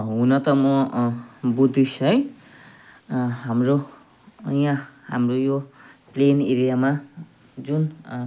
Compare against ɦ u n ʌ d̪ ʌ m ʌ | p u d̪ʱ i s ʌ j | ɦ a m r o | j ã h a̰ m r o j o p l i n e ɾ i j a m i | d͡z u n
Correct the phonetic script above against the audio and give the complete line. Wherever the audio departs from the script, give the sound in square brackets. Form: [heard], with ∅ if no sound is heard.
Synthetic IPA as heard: ɦ u n ʌ [t̪] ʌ m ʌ | [b] u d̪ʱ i s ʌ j | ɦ a m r o | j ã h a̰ m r o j o p l [e] n e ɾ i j a m [a] | d͡z u n